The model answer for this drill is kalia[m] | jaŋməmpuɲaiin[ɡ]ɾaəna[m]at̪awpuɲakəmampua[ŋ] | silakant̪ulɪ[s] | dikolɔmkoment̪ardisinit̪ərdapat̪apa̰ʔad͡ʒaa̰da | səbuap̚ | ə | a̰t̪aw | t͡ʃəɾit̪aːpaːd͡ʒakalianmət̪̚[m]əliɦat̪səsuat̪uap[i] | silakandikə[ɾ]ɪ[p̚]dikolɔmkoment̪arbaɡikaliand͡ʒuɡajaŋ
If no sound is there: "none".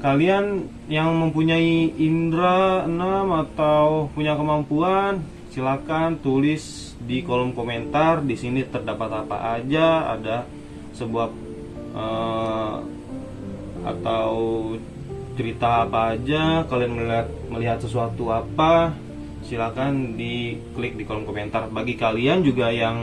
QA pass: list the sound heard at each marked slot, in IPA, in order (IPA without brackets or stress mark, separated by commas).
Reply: n, d, m, n, s, m, a, l, k̚